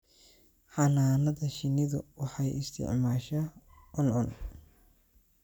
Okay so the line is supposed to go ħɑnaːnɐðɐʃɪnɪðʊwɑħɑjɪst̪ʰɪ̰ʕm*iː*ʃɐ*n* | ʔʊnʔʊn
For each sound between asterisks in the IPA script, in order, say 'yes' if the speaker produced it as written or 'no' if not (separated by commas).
no, no